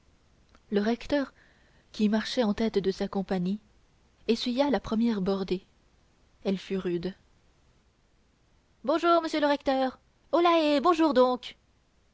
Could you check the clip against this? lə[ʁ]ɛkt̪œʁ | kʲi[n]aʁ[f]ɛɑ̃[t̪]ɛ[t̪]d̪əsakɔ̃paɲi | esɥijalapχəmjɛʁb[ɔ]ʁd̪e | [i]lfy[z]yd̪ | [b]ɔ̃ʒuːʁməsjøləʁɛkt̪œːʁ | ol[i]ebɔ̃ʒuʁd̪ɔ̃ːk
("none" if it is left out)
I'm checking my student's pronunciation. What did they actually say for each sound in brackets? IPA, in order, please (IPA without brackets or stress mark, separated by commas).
ʁ, m, ʃ, t̪, t̪, ɔ, ɛ, ʁ, b, a